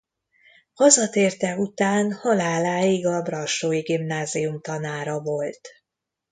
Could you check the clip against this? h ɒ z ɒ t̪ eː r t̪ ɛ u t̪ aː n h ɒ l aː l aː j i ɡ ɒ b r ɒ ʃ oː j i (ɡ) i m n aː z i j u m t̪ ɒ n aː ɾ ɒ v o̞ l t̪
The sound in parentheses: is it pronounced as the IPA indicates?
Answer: yes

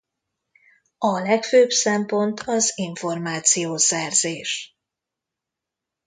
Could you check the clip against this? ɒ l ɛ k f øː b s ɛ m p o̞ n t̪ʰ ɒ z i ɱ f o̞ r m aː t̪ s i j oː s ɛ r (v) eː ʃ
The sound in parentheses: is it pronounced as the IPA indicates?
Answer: no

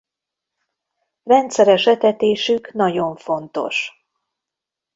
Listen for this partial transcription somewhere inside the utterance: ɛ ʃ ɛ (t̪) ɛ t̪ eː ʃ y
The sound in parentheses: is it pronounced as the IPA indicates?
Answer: yes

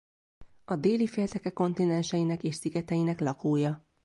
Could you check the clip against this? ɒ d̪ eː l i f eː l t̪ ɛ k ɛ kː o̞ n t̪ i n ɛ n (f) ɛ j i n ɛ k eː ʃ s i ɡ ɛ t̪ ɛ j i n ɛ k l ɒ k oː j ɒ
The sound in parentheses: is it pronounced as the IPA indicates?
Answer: no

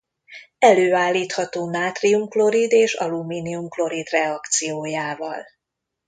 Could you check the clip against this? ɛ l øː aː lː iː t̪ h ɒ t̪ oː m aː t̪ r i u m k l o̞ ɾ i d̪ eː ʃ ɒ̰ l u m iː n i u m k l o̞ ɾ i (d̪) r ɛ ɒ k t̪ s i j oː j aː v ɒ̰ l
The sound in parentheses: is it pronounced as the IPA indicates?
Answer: yes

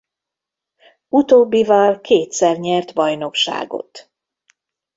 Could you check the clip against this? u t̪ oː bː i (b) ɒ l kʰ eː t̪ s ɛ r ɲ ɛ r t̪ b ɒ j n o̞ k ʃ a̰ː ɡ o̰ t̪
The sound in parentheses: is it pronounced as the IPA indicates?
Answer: no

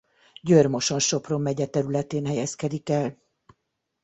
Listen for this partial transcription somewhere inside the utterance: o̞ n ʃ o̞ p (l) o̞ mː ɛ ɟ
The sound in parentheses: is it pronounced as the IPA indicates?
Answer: no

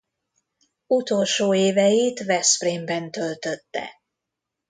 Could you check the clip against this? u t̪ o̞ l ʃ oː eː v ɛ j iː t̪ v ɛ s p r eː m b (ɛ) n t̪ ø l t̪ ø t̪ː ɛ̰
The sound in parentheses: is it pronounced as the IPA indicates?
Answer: yes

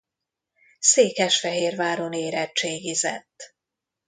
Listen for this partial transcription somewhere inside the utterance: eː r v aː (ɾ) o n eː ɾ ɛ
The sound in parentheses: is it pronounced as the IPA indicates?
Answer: yes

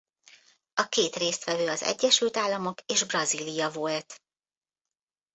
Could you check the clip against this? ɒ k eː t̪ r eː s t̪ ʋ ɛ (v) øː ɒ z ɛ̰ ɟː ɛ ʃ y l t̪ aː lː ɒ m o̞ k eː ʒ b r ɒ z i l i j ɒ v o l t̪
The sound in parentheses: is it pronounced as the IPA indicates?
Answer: yes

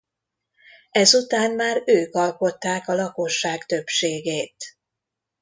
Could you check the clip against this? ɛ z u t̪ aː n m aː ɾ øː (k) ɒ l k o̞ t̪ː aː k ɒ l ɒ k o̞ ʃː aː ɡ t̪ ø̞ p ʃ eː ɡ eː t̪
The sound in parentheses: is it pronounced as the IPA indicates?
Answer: yes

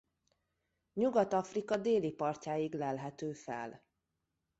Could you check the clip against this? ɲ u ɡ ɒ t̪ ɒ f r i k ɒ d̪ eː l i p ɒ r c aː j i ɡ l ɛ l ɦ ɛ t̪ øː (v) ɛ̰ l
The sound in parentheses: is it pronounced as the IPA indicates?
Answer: no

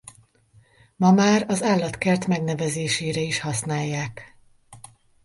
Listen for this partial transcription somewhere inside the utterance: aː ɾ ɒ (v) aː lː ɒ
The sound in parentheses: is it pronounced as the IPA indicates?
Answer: no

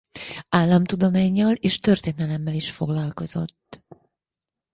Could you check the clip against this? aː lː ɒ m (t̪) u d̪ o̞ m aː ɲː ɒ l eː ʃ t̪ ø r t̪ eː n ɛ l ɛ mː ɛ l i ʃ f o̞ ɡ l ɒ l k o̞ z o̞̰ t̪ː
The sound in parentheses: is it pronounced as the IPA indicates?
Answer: yes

